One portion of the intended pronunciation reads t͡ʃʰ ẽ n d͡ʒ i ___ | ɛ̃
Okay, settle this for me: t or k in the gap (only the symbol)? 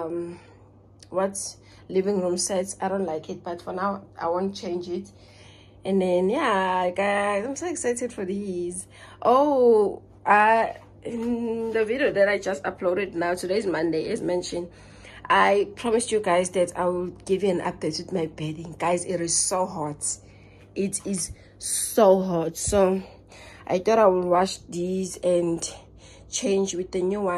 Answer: t